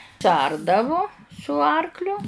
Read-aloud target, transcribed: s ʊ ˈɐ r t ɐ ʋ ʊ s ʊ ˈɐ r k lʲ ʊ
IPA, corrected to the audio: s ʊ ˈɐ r d ɐ ʋ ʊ s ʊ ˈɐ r k lʲ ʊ